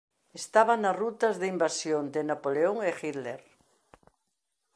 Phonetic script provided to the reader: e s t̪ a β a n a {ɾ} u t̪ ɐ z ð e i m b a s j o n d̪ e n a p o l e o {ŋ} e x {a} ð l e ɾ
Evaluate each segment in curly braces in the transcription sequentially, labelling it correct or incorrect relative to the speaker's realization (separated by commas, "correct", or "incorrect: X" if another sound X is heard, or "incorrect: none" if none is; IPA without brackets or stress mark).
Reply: incorrect: r, correct, incorrect: i